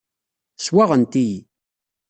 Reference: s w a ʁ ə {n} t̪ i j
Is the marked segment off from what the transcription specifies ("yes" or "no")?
no